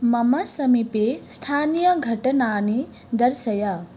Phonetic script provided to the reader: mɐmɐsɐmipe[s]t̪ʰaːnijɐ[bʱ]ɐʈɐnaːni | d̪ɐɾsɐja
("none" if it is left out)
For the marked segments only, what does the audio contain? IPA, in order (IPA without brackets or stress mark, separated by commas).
s, ɡʱ